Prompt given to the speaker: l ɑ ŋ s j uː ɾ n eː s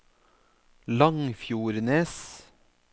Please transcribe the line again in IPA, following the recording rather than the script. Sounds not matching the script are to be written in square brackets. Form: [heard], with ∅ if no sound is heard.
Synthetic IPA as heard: l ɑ ŋ [f] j uː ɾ n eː s